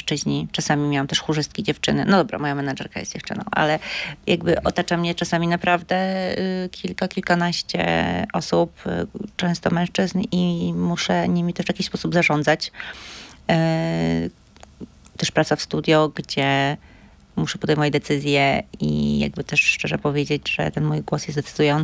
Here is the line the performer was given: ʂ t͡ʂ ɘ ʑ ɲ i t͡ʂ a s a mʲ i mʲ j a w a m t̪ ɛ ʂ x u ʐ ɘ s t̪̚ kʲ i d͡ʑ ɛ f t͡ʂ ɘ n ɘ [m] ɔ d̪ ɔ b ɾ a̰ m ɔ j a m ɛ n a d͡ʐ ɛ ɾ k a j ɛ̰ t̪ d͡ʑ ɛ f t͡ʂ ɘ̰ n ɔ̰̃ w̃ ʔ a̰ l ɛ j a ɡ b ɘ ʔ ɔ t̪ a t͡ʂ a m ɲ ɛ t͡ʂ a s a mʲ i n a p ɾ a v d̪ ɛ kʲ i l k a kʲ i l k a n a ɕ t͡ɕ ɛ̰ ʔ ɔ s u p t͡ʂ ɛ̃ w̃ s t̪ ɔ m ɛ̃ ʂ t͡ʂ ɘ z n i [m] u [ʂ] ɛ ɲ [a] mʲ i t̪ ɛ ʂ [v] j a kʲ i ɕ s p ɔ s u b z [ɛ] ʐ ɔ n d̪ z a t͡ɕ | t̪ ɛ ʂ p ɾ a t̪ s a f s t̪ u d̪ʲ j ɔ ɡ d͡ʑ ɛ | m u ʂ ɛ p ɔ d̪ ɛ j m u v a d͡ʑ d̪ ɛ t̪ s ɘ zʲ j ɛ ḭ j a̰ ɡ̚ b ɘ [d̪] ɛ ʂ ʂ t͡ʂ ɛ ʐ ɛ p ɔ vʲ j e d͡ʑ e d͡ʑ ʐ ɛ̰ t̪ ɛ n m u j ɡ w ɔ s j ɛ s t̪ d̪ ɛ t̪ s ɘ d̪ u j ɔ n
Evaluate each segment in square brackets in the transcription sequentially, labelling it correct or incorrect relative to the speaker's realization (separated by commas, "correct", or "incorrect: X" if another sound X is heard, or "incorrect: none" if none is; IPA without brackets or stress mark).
incorrect: n, correct, correct, incorrect: i, correct, incorrect: a, incorrect: t̪